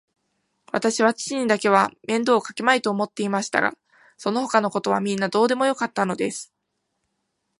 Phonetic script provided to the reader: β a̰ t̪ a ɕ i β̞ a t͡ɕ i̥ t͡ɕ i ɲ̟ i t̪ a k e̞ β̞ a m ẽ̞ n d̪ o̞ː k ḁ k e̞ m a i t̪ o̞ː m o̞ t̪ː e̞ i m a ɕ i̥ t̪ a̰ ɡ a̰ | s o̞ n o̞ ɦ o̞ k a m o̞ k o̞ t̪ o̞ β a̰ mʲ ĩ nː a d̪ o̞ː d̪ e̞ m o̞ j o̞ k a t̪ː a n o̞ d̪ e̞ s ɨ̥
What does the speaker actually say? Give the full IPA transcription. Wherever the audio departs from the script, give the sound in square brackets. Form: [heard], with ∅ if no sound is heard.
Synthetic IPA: β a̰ t̪ a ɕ i β̞ a t͡ɕ i̥ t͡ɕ i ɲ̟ i [d̪] a k e̞ β̞ a m ẽ̞ n d̪ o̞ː k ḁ k e̞ m a i t̪ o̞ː m o̞ t̪ː e̞ i m a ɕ i̥ t̪ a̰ ɡ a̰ | s o̞ n o̞ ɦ o̞ k a [n] o̞ k o̞ t̪ o̞ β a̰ mʲ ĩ nː a d̪ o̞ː d̪ e̞ m o̞ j o̞ k a t̪ː a n o̞ d̪ e̞ s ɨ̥